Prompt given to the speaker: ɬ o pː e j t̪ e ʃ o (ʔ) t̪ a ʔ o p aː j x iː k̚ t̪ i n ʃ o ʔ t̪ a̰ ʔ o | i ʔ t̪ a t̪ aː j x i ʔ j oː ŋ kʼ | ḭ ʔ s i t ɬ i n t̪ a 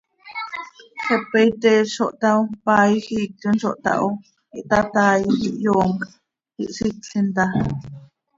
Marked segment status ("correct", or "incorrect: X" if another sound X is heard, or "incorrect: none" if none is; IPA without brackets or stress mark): correct